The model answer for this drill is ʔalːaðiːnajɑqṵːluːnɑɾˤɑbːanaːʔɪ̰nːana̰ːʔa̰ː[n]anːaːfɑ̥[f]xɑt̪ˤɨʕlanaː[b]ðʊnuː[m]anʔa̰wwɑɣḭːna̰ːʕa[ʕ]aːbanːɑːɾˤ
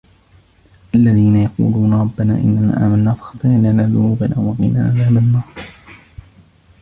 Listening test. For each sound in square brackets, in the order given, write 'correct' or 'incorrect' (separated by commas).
incorrect, incorrect, incorrect, incorrect, incorrect